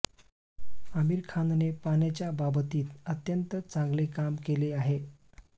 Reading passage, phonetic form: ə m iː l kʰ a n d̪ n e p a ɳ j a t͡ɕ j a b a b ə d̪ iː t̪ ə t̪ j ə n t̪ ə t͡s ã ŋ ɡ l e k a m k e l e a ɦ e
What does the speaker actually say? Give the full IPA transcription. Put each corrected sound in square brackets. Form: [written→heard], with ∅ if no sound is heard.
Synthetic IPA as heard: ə m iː [l→ɾ] kʰ a n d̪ n e p a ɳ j a t͡ɕ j a b a b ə [d̪→t̪] iː t̪ ə t̪ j ə n t̪ ə t͡s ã ŋ ɡ l e k a m k e l e a ɦ e